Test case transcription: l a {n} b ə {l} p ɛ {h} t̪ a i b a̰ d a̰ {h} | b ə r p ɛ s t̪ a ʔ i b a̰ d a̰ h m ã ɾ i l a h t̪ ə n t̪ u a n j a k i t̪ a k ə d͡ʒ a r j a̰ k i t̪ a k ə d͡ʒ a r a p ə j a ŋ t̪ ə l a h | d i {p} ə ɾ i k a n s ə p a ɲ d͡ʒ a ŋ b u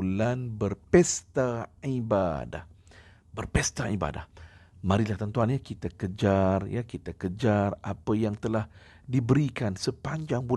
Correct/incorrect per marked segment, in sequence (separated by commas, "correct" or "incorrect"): correct, incorrect, incorrect, correct, incorrect